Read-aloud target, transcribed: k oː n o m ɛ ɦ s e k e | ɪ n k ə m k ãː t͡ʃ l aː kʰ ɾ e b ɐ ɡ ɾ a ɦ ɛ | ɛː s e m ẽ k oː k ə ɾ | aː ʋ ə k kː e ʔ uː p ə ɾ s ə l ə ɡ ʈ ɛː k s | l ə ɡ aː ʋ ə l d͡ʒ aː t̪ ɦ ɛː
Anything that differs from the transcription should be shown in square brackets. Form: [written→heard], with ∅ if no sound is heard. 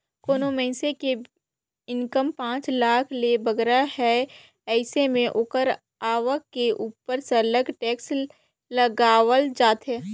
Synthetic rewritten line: k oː n o m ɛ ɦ s e k e | ɪ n k ə m [k→p] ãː t͡ʃ l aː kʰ [ɾ→l] e b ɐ ɡ ɾ a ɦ ɛ | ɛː s e m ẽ [k→ʔ] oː k ə ɾ | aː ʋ ə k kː e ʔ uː p ə ɾ s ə l ə ɡ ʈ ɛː k s | l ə ɡ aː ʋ ə l d͡ʒ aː t̪ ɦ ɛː